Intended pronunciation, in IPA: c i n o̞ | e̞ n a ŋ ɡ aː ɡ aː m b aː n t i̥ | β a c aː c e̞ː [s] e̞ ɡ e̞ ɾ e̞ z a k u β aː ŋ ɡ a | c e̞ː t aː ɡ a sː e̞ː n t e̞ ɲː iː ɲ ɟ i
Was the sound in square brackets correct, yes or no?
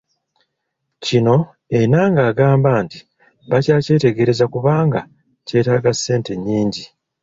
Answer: no